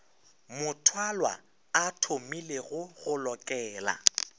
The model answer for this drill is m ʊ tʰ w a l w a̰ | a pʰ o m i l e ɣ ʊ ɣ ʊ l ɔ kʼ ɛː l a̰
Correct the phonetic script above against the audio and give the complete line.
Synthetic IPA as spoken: m ʊ tʰ w a l w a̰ | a tʰ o m i l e ɣ ʊ ɣ ʊ l ɔ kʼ ɛː l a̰

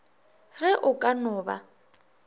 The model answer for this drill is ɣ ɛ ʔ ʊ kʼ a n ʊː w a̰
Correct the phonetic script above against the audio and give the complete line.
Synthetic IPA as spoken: ɣ ɛ ʔ ʊ kʼ a n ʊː b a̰

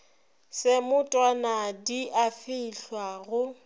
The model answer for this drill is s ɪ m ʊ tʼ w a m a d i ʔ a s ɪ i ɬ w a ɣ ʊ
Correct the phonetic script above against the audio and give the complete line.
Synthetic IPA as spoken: s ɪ m ʊ tʼ w a n a d i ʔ a f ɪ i ɬ w a ɣ ʊ

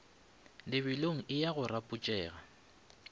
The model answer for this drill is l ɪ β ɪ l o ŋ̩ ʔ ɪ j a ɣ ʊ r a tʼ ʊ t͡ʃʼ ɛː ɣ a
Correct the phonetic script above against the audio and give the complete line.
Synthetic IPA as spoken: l ɪ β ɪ l o ŋ̩ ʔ ɪ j a ɣ ʊ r a pʼ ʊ t͡ʃʼ ɛː ɣ a

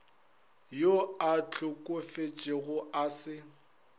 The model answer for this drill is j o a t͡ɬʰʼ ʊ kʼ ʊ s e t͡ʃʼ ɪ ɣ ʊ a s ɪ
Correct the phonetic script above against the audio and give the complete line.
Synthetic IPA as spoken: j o a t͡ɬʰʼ ʊ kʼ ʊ f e t͡ʃʼ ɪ ɣ ʊ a s ɪ

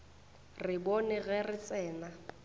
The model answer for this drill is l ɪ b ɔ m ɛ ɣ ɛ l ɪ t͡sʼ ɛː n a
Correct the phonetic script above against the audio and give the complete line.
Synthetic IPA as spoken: r ɪ b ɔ n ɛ ɣ ɛ r ɪ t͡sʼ ɛː n a

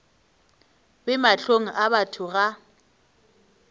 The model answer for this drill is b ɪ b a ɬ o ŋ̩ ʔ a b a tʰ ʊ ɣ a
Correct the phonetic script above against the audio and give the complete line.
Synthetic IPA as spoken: b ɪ m a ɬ o ŋ̩ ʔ a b a tʰ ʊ ɣ a

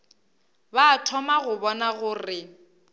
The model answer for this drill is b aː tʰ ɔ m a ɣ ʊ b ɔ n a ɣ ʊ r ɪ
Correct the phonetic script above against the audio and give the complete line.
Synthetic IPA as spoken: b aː tʰ ɔ m a ɣ ʊ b ɔ n a ɣ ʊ r ɪ

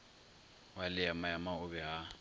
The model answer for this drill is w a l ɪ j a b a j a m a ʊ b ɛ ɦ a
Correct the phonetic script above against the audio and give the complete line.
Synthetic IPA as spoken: w a l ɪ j a m a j a m a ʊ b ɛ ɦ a

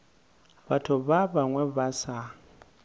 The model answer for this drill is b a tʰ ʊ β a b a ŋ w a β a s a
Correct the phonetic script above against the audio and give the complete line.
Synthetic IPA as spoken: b a tʰ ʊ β a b a ŋ w ɛ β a s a

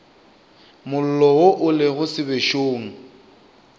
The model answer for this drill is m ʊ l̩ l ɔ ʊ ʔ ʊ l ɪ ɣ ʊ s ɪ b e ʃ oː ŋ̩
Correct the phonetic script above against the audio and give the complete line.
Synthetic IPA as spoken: m ʊ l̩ l ɔ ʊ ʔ ʊ l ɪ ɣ ʊ s ɪ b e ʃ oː ŋ̩

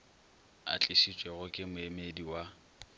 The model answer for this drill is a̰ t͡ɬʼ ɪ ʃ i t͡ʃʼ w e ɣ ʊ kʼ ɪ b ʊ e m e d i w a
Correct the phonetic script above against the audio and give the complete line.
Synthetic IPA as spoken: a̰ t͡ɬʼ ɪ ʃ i t͡ʃʼ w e ɣ ʊ kʼ ɪ m ʊ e m e d i w a

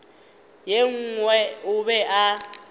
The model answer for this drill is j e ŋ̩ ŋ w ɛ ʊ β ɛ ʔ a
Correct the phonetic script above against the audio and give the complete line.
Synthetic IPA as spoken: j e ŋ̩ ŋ w ɛ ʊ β ɛ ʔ a

